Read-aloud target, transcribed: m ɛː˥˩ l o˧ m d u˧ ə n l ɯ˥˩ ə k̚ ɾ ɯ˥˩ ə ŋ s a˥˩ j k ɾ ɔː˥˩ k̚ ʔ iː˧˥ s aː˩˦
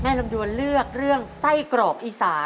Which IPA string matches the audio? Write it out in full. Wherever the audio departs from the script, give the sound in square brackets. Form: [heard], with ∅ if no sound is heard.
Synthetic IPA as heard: m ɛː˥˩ l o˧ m d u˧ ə n l ɯ˥˩ ə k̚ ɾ ɯ˥˩ ə ŋ s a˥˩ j k ɾ [ɔː˨˩] k̚ ʔ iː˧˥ s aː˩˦